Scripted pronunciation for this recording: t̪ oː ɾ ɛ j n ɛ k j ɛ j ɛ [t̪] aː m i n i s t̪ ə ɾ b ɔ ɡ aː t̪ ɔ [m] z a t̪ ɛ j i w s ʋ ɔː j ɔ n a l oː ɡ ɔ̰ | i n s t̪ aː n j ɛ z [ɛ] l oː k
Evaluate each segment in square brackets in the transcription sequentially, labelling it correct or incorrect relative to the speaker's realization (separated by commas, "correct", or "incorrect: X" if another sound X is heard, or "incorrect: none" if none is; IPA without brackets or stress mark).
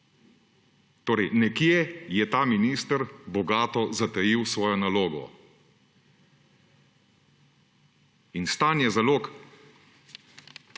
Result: correct, incorrect: none, incorrect: a